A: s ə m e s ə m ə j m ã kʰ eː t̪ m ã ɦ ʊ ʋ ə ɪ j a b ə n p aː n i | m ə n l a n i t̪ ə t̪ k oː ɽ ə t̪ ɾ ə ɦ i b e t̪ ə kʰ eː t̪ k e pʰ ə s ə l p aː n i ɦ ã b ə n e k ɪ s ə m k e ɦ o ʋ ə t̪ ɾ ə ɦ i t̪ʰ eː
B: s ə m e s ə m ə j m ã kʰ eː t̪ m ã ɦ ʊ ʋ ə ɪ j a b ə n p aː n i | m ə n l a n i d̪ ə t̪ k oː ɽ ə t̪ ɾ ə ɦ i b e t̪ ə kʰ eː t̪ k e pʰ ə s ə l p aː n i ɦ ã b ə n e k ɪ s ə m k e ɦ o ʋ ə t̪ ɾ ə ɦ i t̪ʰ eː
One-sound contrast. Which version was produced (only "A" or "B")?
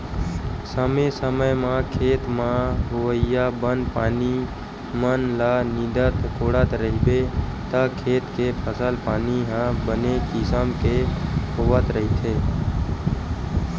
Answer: B